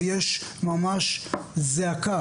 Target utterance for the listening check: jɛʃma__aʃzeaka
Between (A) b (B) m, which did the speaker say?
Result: B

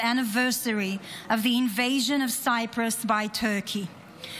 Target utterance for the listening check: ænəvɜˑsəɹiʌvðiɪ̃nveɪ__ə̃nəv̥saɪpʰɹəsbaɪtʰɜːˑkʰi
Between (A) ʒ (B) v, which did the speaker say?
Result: A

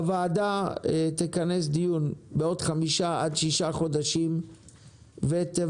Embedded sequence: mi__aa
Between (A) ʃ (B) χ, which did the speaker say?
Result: A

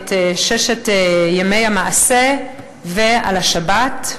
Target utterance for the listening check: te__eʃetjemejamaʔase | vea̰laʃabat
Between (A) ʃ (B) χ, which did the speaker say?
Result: A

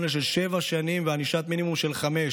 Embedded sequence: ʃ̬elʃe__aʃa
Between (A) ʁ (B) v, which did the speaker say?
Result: B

